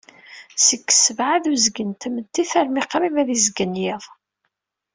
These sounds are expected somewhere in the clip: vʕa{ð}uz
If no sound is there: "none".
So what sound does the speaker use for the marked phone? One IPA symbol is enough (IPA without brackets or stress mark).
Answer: ð